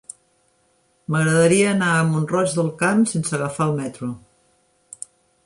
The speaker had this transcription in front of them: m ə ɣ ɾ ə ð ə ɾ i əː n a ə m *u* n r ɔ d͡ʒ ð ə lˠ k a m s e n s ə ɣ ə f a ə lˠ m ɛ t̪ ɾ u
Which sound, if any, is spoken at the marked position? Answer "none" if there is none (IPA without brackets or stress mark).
u